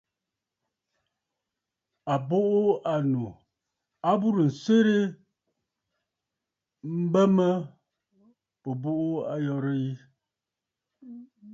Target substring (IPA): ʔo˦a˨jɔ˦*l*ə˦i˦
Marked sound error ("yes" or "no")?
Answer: yes